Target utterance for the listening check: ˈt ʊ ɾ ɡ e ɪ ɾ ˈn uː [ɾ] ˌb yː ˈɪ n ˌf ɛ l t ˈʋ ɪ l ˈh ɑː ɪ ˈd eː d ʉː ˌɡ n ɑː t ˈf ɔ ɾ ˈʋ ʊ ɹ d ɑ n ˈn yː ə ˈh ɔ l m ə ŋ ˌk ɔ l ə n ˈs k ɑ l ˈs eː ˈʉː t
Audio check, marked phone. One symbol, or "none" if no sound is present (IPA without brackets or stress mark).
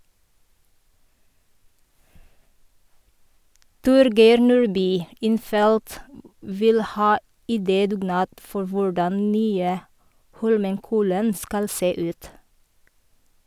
ɹ